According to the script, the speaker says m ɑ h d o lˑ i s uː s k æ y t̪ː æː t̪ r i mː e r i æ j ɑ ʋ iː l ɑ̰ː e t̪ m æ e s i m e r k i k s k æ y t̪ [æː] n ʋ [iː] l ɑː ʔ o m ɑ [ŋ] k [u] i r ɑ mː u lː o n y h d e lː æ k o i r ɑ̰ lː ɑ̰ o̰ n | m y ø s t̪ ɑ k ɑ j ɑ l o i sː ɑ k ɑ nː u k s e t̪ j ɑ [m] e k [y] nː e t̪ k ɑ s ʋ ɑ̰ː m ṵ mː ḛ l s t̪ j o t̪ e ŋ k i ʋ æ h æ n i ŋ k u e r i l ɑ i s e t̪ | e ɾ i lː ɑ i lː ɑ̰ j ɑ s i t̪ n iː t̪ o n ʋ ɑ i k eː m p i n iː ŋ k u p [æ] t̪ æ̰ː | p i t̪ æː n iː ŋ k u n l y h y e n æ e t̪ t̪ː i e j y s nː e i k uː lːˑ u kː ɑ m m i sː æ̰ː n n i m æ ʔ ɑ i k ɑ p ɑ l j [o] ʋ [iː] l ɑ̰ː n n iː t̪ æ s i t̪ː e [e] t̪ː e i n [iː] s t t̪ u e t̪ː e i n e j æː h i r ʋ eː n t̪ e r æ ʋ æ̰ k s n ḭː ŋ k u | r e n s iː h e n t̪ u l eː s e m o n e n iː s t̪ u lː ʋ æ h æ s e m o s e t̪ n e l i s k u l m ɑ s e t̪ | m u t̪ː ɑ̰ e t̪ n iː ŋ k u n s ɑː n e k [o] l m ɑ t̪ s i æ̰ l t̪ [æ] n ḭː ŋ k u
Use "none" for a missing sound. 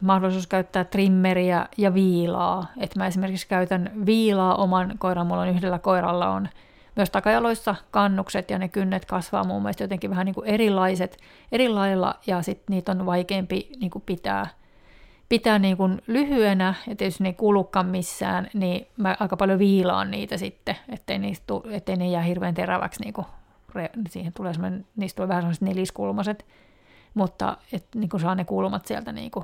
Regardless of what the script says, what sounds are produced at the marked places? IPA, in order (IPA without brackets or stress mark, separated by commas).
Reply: æ, iː, n, o, n, y, i, o, iː, e, iː, u, æ